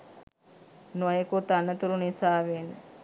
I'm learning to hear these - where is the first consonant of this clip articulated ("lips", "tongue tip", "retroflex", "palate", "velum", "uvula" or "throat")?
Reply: tongue tip